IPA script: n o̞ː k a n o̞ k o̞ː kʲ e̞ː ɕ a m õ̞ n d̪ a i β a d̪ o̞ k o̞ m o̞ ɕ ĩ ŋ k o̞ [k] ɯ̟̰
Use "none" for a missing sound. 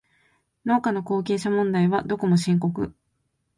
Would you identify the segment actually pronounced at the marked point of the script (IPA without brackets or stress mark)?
k